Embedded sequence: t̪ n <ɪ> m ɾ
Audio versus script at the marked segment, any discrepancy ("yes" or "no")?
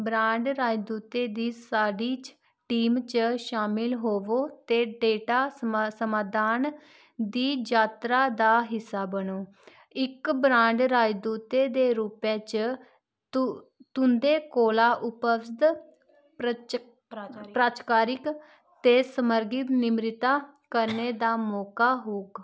no